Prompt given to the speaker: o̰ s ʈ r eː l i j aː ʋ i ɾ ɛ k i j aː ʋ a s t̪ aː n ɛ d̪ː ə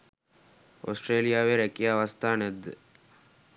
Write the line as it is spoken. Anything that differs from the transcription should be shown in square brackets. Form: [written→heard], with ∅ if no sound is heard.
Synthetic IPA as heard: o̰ s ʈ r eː l i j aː ʋ [i→e] ɾ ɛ k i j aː ʋ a s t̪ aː n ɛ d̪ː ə